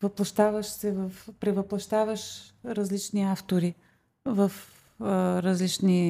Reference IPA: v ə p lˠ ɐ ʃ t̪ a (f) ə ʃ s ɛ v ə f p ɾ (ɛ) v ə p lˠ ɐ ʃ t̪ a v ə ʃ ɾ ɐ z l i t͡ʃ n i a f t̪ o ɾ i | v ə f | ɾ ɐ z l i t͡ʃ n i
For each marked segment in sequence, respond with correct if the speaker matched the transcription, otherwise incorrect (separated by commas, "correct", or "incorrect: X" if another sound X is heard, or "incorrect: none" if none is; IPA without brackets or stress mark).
incorrect: v, correct